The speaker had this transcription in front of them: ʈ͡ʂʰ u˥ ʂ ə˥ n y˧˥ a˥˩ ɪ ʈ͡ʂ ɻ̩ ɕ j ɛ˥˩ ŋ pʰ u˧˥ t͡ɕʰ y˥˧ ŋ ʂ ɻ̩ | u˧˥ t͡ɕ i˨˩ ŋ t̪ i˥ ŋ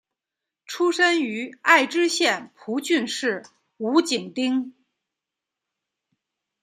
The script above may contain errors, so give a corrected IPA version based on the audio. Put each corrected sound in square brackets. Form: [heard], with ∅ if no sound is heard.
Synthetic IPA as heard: ʈ͡ʂʰ u˥ ʂ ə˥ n y˧˥ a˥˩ ɪ ʈ͡ʂ ɻ̩ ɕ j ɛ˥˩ [n] pʰ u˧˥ [t͡ɕ] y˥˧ [n] ʂ ɻ̩ | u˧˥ t͡ɕ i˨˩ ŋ t̪ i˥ ŋ